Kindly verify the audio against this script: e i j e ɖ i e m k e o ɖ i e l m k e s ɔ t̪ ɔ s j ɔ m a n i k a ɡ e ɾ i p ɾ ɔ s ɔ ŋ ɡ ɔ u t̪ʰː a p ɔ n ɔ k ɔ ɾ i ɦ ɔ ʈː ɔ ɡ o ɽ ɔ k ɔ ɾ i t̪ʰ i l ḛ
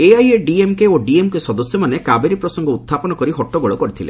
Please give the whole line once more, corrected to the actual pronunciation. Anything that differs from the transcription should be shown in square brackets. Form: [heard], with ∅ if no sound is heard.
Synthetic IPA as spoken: e [a] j e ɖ i e m k e o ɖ i e [∅] m k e s ɔ [d̪] ɔ s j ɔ m a n [e] k a [b] e ɾ i p ɾ ɔ s ɔ ŋ ɡ ɔ u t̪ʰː a p ɔ n ɔ k ɔ ɾ i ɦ ɔ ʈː ɔ ɡ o [ɭ] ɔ k ɔ ɾ i t̪ʰ i l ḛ